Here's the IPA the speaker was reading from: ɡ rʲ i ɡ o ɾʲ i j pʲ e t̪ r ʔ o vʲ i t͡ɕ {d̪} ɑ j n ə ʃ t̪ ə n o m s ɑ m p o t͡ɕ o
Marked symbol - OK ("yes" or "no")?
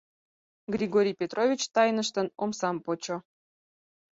no